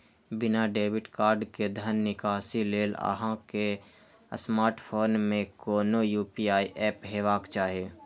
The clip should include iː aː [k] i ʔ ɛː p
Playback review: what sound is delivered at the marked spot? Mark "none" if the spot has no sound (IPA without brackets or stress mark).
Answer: none